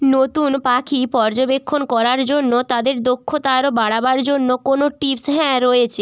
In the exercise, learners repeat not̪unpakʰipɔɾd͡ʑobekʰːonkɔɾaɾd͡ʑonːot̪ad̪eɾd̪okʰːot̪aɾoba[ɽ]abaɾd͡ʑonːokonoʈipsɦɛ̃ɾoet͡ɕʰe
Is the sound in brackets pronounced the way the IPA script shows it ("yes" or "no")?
yes